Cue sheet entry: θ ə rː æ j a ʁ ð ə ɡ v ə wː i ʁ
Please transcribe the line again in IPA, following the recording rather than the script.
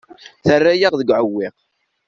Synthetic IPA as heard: θ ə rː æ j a ʁ ð ə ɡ ʕ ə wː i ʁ